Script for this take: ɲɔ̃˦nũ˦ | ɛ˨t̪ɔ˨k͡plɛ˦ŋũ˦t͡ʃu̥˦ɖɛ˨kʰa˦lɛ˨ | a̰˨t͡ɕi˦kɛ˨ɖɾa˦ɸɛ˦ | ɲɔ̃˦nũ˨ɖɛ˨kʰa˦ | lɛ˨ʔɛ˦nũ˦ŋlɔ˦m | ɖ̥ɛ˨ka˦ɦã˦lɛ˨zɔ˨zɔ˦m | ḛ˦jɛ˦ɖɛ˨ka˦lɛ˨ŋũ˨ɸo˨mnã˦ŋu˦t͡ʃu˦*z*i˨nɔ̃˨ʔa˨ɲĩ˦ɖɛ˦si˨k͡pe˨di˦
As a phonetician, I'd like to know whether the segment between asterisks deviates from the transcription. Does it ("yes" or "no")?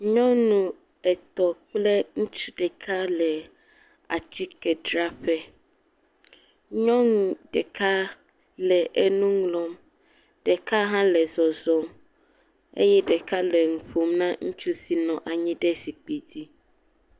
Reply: yes